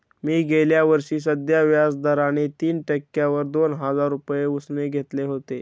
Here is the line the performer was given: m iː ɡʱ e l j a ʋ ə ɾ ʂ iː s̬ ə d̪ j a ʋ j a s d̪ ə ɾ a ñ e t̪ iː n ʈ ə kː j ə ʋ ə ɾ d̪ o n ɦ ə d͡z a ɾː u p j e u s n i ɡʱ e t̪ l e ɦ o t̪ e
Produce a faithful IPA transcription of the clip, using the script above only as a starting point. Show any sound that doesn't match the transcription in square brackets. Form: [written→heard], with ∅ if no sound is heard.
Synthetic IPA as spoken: m iː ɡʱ e l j a ʋ ə ɾ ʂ iː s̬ ə d̪ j a ʋ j a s d̪ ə ɾ a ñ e t̪ iː n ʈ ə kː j [ə→a] ʋ ə ɾ d̪ o n ɦ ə d͡z a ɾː u p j e u s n [i→e] ɡʱ e t̪ l e ɦ o t̪ e